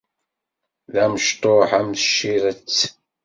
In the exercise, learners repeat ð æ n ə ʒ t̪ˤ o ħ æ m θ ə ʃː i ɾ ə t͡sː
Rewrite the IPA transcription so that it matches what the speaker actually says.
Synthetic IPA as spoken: ð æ m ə ʃ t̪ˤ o ħ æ m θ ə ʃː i ɾ ə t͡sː